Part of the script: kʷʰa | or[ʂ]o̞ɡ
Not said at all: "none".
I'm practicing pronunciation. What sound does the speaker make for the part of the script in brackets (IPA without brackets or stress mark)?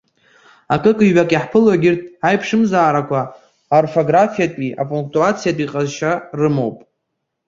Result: f